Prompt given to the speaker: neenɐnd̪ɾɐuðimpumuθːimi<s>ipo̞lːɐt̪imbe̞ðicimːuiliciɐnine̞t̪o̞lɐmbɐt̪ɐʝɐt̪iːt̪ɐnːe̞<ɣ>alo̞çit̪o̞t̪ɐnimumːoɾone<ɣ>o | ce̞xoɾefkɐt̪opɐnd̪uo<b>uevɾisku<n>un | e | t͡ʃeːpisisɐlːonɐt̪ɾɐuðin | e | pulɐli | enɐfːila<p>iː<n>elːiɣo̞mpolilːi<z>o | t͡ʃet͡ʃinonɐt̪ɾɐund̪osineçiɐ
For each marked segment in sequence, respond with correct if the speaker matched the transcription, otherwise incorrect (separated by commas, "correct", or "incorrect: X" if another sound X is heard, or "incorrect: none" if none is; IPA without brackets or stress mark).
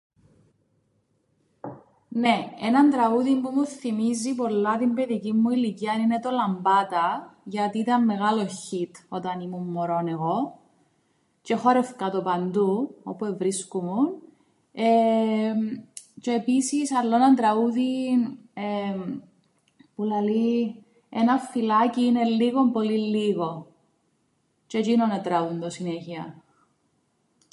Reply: incorrect: z, correct, correct, incorrect: p, incorrect: m, incorrect: c, correct, incorrect: ɣ